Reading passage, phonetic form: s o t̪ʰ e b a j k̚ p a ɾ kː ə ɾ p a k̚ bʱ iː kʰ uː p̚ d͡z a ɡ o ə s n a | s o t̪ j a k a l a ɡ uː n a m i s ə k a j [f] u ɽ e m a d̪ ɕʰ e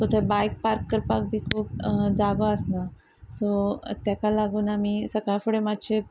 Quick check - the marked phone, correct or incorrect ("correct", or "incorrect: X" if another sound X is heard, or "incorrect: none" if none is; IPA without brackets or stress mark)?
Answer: correct